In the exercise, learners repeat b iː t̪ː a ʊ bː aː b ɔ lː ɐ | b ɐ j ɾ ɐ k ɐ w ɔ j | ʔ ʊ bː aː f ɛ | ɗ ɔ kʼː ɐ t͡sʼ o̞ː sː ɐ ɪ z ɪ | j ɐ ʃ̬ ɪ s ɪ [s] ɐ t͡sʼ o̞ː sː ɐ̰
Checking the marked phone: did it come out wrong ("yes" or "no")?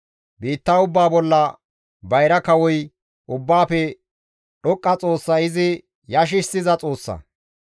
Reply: yes